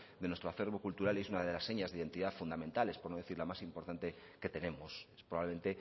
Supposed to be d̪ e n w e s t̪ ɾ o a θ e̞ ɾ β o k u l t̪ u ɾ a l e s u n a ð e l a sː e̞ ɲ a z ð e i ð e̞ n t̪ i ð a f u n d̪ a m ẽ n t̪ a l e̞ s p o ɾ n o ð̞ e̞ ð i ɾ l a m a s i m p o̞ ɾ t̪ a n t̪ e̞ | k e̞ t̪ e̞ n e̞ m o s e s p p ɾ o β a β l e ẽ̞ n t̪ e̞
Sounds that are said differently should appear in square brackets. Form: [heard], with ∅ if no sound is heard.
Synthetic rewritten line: d̪ e n w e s t̪ ɾ o a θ e̞ ɾ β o k u l t̪ u ɾ a l e s u n a ð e l a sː e̞ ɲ a z ð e i ð e̞ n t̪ i ð a f u n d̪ a m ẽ n t̪ a l e̞ s p o ɾ n o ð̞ e̞ [θ] i ɾ l a m a s i m p o̞ ɾ t̪ a n t̪ e̞ | k e̞ t̪ e̞ n e̞ m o s e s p p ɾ o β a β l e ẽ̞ n t̪ e̞

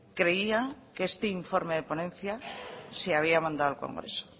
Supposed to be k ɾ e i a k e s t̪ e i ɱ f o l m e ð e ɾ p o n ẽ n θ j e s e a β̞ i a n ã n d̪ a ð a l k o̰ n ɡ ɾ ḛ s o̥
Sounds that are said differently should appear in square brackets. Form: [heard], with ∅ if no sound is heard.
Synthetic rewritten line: k ɾ e i a k e s t̪ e i ɱ f o [ɾ] m e ð e [∅] p o n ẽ n θ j [a] s e a β̞ i a [m] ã n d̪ a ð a l k o̰ [ŋ] ɡ ɾ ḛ s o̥

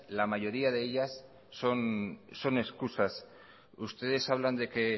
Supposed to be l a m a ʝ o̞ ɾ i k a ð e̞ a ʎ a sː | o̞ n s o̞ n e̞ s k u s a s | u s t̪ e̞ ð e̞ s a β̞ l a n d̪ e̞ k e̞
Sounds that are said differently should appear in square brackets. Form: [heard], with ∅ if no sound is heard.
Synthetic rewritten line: l a m a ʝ o̞ ɾ i [∅] a ð e̞ [e] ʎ a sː | o̞ n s o̞ n e̞ s k u s a s | u s t̪ e̞ ð e̞ s a β̞ l a n d̪ e̞ k e̞

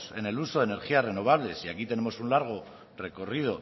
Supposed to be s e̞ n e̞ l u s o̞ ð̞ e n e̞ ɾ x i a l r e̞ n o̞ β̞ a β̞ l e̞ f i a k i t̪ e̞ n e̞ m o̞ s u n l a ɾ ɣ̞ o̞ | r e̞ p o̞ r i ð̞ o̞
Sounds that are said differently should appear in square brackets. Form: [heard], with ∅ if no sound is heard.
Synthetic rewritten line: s e̞ n e̞ l u s o̞ ð̞ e n e̞ ɾ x i a [∅] r e̞ n o̞ β̞ a β̞ l e̞ [s] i a k i t̪ e̞ n e̞ m o̞ s u n l a ɾ ɣ̞ o̞ | r e̞ [k] o̞ r i ð̞ o̞

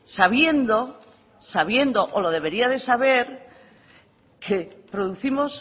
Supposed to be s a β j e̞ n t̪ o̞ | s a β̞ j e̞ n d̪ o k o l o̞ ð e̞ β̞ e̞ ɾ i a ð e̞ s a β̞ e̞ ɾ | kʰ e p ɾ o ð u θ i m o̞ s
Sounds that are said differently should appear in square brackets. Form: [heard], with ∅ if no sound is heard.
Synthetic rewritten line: s a β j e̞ n [d̪] o̞ | s a β̞ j e̞ n d̪ o [ʔ] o l o̞ ð e̞ β̞ e̞ ɾ i a ð e̞ s a β̞ e̞ ɾ | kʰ e p ɾ o ð u θ i m o̞ s

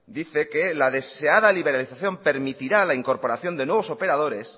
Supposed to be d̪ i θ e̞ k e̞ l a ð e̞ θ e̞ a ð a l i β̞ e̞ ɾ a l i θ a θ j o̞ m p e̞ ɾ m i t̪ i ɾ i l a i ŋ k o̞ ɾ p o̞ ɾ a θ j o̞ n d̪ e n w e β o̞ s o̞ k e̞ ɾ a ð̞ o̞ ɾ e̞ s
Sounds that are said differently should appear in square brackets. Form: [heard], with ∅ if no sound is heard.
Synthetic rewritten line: d̪ i θ e̞ k e̞ l a ð e̞ [s] e̞ a ð a l i β̞ e̞ ɾ a l i θ a θ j o̞ m p e̞ ɾ m i t̪ i ɾ [a] l a i ŋ k o̞ ɾ p o̞ ɾ a θ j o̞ n d̪ e n w e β o̞ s o̞ [p] e̞ ɾ a ð̞ o̞ ɾ e̞ s

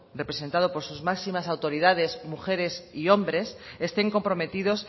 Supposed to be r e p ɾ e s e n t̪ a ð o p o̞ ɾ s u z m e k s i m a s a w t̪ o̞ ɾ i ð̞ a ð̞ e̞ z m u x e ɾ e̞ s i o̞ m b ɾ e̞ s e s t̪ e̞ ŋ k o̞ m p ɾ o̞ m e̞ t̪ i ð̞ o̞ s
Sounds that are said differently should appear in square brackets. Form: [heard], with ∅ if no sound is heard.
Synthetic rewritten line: r e p ɾ e s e n t̪ a ð o p o̞ ɾ s u z m [a] k s i m a s a w t̪ o̞ ɾ i ð̞ a ð̞ e̞ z m u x e ɾ e̞ s i o̞ m b ɾ e̞ s e s t̪ e̞ ŋ k o̞ m p ɾ o̞ m e̞ t̪ i ð̞ o̞ s

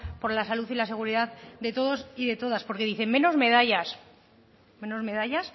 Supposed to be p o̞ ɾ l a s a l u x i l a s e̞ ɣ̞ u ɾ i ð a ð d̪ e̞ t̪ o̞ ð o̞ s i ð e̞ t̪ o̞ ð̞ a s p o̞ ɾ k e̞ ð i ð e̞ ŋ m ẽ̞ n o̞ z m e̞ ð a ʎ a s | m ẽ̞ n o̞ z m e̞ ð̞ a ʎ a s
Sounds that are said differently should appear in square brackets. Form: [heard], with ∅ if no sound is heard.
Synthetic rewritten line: p o̞ ɾ l a s a l u [θ] i l a s e̞ ɣ̞ u ɾ i ð a ð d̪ e̞ t̪ o̞ ð o̞ s i ð e̞ t̪ o̞ ð̞ a s p o̞ ɾ k e̞ ð i [θ] e̞ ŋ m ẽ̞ n o̞ z m e̞ ð a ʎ a s | m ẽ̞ n o̞ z m e̞ ð̞ a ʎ a s

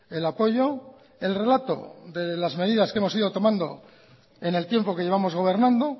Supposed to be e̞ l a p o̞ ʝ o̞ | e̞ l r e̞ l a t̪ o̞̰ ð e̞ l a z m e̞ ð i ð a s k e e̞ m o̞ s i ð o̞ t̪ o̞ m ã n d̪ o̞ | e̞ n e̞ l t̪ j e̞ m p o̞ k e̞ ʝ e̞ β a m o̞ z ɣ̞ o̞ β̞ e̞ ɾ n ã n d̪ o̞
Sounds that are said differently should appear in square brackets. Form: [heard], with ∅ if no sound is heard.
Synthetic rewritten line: e̞ l a p o̞ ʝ o̞ | e̞ l r e̞ l a t̪ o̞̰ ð e̞ l a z m e̞ ð i ð a s k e e̞ m o̞ s i ð o̞ t̪ o̞ m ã n d̪ o̞ | e̞ n e̞ l t̪ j e̞ m p o̞ k e̞ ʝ e̞ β a m o̞ z ɣ̞ o̞ β̞ e̞ ɾ n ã n d̪ o̞

